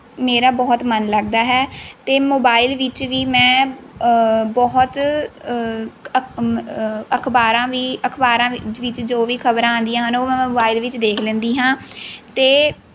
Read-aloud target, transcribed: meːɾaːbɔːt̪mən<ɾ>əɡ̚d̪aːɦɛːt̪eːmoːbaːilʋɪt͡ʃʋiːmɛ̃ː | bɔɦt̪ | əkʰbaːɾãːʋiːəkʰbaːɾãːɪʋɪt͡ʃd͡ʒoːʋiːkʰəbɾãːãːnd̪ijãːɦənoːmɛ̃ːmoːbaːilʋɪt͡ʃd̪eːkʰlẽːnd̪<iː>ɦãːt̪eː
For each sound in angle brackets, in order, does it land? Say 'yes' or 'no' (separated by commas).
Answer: no, yes